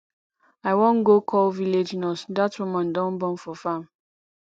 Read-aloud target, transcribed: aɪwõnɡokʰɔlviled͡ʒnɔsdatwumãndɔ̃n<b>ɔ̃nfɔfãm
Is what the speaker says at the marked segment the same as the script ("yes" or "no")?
yes